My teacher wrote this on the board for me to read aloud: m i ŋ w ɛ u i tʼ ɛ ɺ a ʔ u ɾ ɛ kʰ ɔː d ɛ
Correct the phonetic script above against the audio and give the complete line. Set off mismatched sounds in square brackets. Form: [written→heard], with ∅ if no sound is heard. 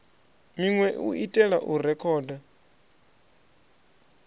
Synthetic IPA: m i ŋ w ɛ u i tʼ ɛ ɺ a ʔ u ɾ ɛ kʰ ɔː d [ɛ→a]